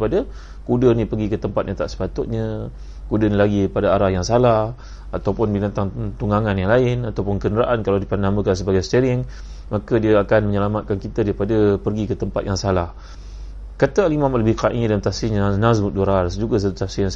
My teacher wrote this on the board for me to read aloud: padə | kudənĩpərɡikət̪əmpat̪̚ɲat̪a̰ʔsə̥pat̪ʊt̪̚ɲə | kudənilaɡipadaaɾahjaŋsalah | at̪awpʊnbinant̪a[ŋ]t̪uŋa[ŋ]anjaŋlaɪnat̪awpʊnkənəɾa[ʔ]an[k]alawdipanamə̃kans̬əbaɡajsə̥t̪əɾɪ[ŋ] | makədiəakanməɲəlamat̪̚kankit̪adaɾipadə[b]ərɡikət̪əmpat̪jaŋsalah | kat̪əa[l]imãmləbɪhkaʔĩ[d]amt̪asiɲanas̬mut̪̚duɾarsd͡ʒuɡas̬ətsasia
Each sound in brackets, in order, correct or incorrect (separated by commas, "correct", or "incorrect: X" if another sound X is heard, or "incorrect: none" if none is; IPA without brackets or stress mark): correct, correct, correct, correct, correct, incorrect: p, correct, correct